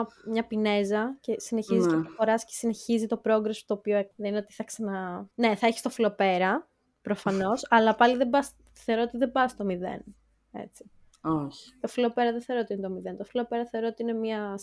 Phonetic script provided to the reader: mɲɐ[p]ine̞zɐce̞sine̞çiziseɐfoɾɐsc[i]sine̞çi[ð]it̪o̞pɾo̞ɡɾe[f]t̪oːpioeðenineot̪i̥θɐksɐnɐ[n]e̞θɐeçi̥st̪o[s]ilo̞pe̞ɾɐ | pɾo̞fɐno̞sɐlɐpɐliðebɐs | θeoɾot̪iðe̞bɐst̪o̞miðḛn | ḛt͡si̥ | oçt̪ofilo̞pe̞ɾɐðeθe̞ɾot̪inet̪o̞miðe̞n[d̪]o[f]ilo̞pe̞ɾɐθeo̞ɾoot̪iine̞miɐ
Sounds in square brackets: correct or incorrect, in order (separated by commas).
correct, incorrect, incorrect, incorrect, correct, incorrect, incorrect, correct